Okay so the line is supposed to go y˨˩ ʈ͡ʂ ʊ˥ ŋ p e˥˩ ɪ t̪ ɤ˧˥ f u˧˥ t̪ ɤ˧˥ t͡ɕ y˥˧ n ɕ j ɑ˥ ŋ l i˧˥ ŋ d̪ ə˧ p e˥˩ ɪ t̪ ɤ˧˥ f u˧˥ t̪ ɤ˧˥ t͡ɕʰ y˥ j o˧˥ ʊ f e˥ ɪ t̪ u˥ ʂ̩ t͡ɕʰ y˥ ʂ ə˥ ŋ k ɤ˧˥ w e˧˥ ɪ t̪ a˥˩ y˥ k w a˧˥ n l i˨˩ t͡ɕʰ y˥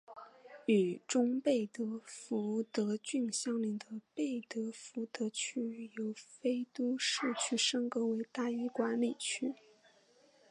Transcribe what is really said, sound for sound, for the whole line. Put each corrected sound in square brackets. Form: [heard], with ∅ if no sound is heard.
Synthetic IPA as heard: y˨˩ ʈ͡ʂ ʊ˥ ŋ p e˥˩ ɪ t̪ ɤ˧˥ f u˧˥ t̪ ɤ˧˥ t͡ɕ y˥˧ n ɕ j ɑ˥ ŋ l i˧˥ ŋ d̪ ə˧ p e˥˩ ɪ t̪ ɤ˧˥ f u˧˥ t̪ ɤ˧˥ t͡ɕʰ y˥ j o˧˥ ʊ f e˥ ɪ t̪ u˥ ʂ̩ t͡ɕʰ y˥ ʂ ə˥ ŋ k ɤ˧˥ w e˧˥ ɪ t̪ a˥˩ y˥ k w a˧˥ n l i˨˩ t͡ɕʰ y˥